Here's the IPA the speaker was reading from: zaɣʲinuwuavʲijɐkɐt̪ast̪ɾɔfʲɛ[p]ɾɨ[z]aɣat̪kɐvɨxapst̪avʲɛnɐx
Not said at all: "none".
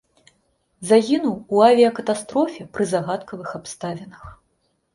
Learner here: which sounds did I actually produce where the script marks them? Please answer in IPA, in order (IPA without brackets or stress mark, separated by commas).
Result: p, z